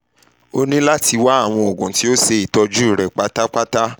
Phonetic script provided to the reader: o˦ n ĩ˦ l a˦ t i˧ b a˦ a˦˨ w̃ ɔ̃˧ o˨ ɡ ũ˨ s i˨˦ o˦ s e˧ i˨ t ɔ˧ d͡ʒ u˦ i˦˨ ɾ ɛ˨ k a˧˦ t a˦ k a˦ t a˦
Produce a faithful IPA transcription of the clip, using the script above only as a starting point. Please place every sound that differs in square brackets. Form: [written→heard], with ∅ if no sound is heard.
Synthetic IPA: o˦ n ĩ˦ l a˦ t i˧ [b→w] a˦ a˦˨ w̃ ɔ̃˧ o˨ ɡ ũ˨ [s→t] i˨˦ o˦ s e˧ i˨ t ɔ˧ d͡ʒ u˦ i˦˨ ɾ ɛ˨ [k→k͡p] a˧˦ t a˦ [k→k͡p] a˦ t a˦